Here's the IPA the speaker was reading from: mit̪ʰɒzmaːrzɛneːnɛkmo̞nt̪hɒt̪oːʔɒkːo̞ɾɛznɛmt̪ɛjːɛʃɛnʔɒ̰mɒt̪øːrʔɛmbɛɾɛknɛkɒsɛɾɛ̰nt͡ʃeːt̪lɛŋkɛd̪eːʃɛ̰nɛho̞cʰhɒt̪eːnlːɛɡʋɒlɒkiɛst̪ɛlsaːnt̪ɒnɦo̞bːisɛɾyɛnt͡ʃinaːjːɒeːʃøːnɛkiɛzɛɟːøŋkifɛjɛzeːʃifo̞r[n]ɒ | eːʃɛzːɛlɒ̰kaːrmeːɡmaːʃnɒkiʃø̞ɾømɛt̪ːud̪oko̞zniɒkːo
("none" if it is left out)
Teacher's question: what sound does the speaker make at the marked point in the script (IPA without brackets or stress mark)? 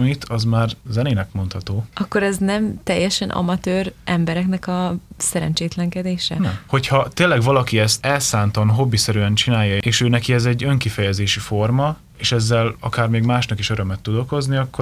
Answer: m